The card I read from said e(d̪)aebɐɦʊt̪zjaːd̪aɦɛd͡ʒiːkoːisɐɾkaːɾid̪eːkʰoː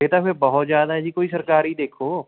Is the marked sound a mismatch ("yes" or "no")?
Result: yes